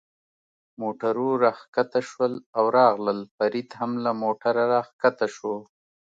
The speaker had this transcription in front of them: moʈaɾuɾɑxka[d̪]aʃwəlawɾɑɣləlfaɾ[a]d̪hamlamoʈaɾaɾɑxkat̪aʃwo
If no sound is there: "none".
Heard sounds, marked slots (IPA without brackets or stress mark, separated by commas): t̪, i